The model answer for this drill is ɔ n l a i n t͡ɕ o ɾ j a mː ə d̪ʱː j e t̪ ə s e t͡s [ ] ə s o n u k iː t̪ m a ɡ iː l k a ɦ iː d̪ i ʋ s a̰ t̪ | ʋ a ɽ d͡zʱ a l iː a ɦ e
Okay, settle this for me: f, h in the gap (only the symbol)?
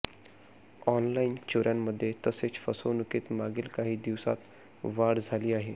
f